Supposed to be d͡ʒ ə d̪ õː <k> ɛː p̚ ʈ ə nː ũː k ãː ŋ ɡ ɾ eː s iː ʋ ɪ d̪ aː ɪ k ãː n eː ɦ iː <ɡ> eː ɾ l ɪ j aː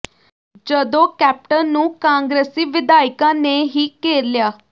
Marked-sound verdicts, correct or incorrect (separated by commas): correct, incorrect